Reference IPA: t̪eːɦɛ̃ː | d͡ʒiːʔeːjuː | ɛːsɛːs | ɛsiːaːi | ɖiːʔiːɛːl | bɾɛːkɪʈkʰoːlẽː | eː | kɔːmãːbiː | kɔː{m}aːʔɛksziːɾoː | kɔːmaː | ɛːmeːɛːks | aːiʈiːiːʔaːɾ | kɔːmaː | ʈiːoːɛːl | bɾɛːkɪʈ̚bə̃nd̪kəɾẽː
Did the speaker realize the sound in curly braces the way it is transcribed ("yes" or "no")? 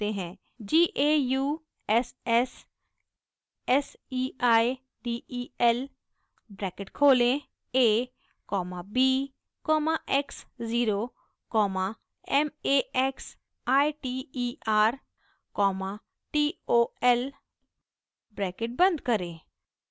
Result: yes